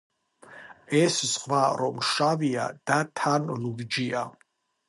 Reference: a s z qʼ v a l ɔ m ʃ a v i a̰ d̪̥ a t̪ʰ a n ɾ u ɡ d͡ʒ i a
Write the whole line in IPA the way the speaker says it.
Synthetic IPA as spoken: ɛ s z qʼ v a ɾ ɔ m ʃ a v i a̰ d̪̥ a t̪ʰ a n l u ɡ d͡ʒ i a